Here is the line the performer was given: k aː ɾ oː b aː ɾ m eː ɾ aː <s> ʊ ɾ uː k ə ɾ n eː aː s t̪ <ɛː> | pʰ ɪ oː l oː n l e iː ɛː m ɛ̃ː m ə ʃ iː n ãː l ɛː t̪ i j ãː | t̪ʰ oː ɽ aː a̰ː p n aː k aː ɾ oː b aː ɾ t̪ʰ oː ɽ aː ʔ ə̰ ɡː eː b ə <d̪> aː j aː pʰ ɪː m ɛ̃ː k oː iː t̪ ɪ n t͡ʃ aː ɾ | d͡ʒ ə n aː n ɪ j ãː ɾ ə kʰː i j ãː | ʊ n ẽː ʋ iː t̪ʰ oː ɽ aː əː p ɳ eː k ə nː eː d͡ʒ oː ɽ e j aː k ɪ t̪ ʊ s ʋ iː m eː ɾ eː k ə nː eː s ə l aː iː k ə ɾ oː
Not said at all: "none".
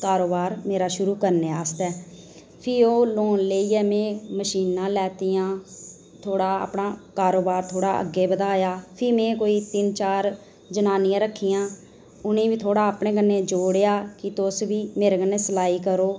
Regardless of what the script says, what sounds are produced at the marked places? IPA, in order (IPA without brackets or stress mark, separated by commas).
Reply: ʃ, ɛː, d̪